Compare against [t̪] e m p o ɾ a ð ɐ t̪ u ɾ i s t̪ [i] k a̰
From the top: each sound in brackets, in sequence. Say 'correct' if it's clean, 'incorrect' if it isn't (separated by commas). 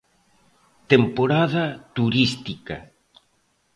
correct, correct